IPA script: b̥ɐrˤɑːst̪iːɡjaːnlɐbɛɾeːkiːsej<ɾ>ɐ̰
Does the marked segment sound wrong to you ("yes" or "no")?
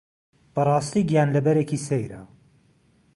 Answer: no